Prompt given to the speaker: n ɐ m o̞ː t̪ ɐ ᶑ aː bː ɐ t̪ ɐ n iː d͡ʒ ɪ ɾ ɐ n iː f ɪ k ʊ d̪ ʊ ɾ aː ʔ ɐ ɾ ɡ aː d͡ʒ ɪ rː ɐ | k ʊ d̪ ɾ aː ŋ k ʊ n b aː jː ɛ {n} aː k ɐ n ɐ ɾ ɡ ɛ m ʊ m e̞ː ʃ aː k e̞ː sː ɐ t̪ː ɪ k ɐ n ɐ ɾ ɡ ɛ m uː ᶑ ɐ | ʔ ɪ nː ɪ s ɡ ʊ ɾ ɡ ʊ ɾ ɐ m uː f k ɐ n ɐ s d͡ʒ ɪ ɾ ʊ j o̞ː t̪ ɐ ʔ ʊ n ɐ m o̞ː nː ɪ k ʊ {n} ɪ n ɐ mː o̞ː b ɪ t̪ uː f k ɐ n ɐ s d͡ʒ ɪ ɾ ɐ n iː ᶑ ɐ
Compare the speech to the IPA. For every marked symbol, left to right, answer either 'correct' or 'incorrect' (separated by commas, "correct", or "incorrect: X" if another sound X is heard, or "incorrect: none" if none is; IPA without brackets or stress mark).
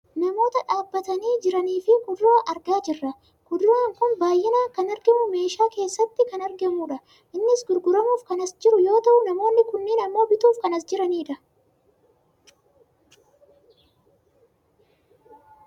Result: correct, incorrect: nː